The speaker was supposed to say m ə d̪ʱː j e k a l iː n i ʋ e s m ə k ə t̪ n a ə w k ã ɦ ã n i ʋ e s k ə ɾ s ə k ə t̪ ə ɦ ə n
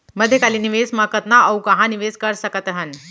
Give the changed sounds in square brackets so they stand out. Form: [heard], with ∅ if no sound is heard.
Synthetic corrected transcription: m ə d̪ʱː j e k a l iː n i ʋ e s m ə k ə t̪ n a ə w k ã ɦ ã n i ʋ e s k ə ɾ s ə k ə t̪ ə ɦ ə n